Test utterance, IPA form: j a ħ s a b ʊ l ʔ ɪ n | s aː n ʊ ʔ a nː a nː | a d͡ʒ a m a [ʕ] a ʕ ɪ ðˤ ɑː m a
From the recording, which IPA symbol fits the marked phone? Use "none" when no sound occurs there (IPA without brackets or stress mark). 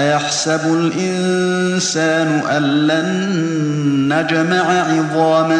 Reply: ʕ